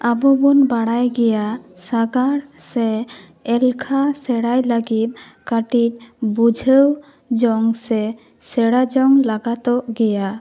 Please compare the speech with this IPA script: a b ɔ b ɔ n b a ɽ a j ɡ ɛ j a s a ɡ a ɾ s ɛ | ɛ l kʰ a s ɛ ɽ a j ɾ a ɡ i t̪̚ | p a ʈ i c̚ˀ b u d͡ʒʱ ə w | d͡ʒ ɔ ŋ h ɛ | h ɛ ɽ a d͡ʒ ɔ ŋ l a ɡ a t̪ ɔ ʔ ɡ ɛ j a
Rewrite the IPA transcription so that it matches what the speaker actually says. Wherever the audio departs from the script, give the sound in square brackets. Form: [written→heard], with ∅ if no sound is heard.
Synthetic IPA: a b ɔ b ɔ n b a ɽ a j ɡ ɛ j a s a ɡ a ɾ s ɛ | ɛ l kʰ a s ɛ ɽ a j [ɾ→l] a ɡ i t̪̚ | [p→k] a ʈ i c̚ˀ b u d͡ʒʱ ə w | d͡ʒ ɔ ŋ [h→s] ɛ | [h→s] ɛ ɽ a d͡ʒ ɔ ŋ l a ɡ a t̪ ɔ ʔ ɡ ɛ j a

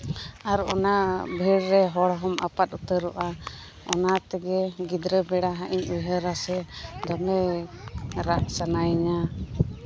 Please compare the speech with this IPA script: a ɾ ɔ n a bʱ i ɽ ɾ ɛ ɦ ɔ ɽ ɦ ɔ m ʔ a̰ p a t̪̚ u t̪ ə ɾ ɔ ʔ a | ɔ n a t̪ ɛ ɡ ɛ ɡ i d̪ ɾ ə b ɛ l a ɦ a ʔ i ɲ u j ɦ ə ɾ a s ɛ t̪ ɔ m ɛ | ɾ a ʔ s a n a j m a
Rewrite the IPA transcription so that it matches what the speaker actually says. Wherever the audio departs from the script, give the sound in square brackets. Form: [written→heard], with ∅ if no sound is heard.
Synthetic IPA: a ɾ ɔ n a bʱ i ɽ ɾ ɛ ɦ ɔ ɽ ɦ ɔ m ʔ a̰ p a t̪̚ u t̪ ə ɾ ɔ ʔ a | ɔ n a t̪ ɛ ɡ ɛ ɡ i d̪ ɾ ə b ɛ [l→ɽ] a ɦ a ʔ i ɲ u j ɦ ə ɾ a s ɛ [t̪→d̪] ɔ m ɛ | ɾ a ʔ s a n a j [m→ɲ] a

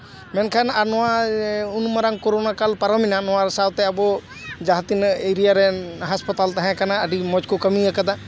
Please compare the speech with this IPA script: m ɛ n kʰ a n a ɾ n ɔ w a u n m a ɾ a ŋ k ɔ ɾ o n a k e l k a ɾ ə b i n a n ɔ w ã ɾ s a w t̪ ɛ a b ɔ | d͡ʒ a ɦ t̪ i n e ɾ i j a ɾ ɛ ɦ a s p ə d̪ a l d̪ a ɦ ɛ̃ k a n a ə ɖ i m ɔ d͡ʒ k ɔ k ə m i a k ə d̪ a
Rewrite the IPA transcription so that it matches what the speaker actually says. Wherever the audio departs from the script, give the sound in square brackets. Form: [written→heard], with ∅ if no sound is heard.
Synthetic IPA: m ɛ n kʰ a n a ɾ n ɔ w a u n m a ɾ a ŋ k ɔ ɾ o n a k [e→a] l [k→p] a ɾ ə [b→m] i n a n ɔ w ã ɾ s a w t̪ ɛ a b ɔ | d͡ʒ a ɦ t̪ i n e ɾ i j a ɾ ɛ ɦ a s p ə [d̪→t̪] a l [d̪→t̪] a ɦ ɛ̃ k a n a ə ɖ i m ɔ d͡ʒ k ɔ k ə m i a k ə d̪ a

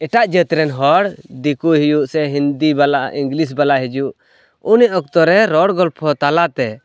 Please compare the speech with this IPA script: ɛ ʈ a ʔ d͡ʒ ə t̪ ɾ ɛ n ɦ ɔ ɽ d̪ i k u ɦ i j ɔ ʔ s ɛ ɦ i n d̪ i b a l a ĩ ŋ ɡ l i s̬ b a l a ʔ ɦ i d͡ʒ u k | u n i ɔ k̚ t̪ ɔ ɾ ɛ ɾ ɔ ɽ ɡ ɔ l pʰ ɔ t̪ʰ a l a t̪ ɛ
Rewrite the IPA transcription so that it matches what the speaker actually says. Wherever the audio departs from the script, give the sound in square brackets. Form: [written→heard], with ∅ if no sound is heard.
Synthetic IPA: ɛ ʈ a ʔ d͡ʒ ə t̪ ɾ ɛ n ɦ ɔ ɽ d̪ i k u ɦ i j [ɔ→u] ʔ s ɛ ɦ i n d̪ i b a l a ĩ ŋ ɡ l i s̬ b a l a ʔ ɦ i d͡ʒ u [k→ʔ] | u n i ɔ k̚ t̪ ɔ ɾ ɛ ɾ ɔ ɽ ɡ ɔ l pʰ ɔ [t̪ʰ→t̪] a l a t̪ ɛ

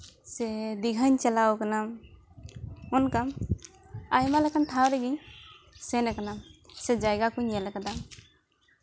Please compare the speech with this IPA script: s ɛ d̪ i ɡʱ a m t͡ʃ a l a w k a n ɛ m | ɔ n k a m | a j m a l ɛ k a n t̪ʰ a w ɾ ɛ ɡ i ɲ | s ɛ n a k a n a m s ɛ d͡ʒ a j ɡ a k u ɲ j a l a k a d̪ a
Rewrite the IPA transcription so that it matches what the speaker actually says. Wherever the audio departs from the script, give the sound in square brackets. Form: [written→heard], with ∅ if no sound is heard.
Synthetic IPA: s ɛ d̪ i ɡʱ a [m→ɲ] t͡ʃ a l a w k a n [ɛ→a] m | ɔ n k a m | a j m a l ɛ k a n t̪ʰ a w ɾ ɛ ɡ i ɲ | s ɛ n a k a n a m s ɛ d͡ʒ a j ɡ a k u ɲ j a l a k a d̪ a

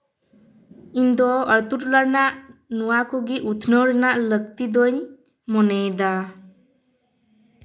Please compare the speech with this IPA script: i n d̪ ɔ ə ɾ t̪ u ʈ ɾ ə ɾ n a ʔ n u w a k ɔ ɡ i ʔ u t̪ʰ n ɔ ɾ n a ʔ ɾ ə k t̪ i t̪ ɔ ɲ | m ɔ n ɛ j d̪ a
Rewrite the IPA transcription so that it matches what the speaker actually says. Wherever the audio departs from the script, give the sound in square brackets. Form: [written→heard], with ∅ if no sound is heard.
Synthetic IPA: i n d̪ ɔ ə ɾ t̪ u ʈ [ɾ→l] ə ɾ n a ʔ n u w a k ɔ ɡ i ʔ u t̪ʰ n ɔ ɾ n a ʔ [ɾ→l] ə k t̪ i [t̪→d̪] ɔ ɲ | m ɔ n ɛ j d̪ a

